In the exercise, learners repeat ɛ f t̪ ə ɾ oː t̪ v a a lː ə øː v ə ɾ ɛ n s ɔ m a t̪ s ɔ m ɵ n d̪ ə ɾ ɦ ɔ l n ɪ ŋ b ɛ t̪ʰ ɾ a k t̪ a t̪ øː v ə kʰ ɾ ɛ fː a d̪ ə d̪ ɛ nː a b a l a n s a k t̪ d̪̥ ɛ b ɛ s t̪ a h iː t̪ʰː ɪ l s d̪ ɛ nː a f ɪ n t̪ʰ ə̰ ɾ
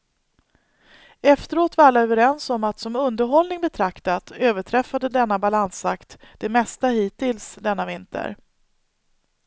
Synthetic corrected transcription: ɛ f t̪ ə ɾ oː t̪ v a a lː a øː v ə ɾ ɛ n s ɔ m a t̪ s ɔ m ɵ n d̪ ə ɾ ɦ ɔ l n ɪ ŋ b ɛ t̪ʰ ɾ a k t̪ a t̪ øː v ə ʈʰ ɾ ɛ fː a d̪ ə d̪ ɛ nː a b a l a n s a k t̪ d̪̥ ɛ m ɛ s t̪ a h iː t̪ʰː ɪ l s d̪ ɛ nː a v ɪ n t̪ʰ ə̰ ɾ